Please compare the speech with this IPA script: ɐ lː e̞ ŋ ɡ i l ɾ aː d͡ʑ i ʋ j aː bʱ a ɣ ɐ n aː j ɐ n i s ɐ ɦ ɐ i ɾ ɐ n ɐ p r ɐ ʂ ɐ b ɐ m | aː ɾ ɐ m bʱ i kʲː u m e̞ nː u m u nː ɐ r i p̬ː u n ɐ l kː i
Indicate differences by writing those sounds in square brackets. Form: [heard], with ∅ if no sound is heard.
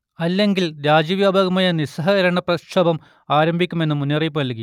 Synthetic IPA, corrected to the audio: ɐ lː e̞ ŋ ɡ i l ɾ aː d͡ʑ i ʋ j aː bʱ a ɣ ɐ [m] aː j ɐ n i s ɐ ɦ ɐ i ɾ ɐ [ɳ] ɐ p r ɐ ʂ ɐ b ɐ m | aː ɾ ɐ m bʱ i kʲː u m e̞ nː u m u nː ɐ r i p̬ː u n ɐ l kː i